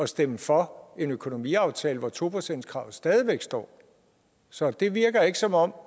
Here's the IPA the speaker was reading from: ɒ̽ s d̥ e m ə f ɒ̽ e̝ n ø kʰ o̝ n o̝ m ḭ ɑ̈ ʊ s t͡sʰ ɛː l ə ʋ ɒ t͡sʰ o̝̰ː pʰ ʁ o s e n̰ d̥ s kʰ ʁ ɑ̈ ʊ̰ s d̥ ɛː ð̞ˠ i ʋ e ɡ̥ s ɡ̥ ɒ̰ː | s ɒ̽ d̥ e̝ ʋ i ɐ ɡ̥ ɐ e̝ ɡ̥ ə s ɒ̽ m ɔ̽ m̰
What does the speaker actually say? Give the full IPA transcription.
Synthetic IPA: ɒ̽ s d̥ e m ə f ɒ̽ e̝ n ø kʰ o̝ n o̝ m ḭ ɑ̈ ʊ t͡sʰ ɛː l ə ʋ ɒ t͡sʰ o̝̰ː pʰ ʁ o s e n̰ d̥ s kʰ ʁ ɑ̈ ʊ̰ s d̥ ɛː ð̞ˠ i ʋ e ɡ̥ s d̥ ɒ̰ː | s ɒ̽ d̥ e̝ ʋ i ɐ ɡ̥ ɐ e̝ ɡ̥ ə s ɒ̽ m ɒ̽ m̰

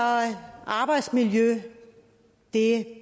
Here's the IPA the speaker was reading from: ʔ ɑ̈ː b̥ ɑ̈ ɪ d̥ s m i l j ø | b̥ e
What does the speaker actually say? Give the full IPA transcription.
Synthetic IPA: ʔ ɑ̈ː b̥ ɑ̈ ɪ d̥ s m i l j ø | d̥ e

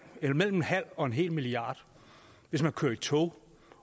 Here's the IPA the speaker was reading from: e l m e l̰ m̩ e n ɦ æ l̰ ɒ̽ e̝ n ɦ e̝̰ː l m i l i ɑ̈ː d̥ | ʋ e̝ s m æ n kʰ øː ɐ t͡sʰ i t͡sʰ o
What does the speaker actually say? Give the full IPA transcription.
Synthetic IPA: e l m e l̰ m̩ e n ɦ æ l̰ ɒ̽ e̝ n ɦ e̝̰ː l m i l i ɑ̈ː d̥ | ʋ e̝ s m æ n kʰ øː ɐ i t͡sʰ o

